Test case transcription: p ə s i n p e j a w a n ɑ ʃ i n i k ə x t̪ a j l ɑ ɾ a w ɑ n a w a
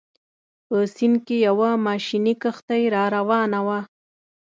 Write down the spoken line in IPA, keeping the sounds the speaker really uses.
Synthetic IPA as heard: p ə s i n k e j a w a m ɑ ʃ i n i k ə x t̪ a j ɾ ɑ ɾ a w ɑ n a w a